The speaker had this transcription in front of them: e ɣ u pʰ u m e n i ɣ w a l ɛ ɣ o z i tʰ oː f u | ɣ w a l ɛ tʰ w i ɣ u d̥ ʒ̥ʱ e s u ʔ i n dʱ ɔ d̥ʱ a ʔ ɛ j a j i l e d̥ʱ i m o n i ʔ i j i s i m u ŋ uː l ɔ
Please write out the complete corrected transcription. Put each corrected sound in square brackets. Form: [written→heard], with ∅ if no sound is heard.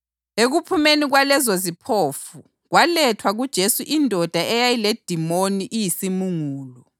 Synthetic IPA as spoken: e ɣ u pʰ u m e n i ɣ w a l ɛ [ɣ→z] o z i [tʰ→pʰ] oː f u | ɣ w a l ɛ tʰ w [i→a] ɣ u d̥ ʒ̥ʱ e s u ʔ i n dʱ ɔ d̥ʱ a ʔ ɛ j a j i l e d̥ʱ i m o n i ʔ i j i s i m u ŋ uː l ɔ